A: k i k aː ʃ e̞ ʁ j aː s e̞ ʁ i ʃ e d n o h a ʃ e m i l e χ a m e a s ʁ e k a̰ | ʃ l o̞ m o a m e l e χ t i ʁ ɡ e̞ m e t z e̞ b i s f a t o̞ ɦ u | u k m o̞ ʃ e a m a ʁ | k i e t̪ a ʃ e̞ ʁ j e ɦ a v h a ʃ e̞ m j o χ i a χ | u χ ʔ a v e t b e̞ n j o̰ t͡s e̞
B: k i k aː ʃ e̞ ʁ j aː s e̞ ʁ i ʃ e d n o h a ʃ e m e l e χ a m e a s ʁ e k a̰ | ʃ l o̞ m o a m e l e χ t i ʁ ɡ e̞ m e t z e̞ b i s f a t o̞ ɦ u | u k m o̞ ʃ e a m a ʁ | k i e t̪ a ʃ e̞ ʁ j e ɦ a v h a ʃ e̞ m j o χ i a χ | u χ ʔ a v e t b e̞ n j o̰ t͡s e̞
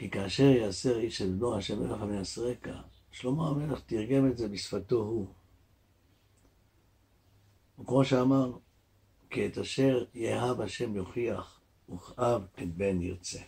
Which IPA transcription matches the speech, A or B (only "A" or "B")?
B